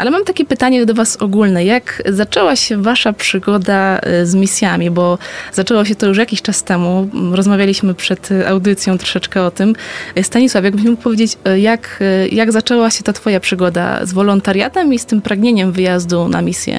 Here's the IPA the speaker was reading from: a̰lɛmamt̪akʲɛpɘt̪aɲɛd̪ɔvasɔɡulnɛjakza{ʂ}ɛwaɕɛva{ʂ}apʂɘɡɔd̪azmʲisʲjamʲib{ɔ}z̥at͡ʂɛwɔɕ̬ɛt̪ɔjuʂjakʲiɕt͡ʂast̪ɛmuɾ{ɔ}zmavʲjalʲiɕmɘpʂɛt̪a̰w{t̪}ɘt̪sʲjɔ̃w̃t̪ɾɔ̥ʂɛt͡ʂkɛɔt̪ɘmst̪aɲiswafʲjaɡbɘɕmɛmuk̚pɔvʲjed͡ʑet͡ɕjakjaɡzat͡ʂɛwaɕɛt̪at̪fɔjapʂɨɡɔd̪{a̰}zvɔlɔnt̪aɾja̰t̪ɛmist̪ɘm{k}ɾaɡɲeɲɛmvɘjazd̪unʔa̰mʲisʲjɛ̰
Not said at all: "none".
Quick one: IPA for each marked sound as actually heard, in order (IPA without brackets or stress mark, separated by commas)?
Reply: t͡ʂ, ʂ, ɔ, ɔ, d̪, a̰, p